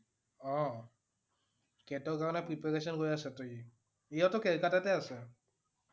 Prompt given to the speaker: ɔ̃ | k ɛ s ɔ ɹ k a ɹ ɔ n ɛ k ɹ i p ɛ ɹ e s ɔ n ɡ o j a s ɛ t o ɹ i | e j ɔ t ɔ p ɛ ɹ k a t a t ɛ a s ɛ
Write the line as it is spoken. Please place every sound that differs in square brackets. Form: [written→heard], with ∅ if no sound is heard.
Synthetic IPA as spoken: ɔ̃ | k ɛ [s→t] ɔ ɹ k a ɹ ɔ n ɛ [k→p] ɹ i p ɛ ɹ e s ɔ n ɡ o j a s ɛ t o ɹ i | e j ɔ t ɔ [p→k] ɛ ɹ k a t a t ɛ a s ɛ